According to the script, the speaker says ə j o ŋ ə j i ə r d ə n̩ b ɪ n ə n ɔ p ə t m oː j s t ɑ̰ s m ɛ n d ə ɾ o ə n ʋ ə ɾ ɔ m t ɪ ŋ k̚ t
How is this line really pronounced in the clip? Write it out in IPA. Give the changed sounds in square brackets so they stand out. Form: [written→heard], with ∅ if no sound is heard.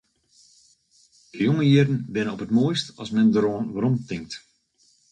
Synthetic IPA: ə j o ŋ ə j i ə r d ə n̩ b ɪ n ə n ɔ p ə t m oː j s t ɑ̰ s m ɛ n d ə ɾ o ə n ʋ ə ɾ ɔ m t ɪ ŋ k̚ t